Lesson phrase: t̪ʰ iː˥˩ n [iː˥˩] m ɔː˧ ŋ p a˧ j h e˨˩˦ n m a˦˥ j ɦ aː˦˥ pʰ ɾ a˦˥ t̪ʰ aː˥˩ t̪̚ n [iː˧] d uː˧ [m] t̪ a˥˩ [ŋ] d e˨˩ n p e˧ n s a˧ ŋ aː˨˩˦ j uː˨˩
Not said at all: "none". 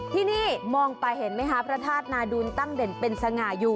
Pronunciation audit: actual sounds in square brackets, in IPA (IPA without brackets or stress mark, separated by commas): iː˥˩, aː˧, n, ŋ